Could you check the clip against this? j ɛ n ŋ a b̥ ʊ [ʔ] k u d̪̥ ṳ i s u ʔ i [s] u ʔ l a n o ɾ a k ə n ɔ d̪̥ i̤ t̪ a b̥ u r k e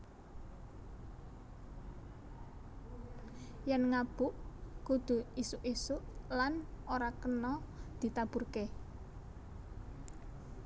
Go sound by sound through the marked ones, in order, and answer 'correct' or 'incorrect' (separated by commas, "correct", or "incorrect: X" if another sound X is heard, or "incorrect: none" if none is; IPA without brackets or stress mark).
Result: correct, correct